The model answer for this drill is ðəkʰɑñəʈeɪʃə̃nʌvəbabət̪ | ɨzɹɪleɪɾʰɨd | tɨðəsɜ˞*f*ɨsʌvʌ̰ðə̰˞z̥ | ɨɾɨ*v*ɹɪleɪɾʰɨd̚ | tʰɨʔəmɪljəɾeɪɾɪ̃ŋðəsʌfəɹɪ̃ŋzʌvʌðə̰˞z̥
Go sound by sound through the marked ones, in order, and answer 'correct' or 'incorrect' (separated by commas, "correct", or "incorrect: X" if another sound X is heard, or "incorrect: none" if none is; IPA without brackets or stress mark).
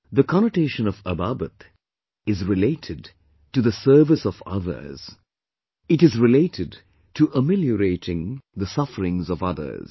incorrect: v, incorrect: z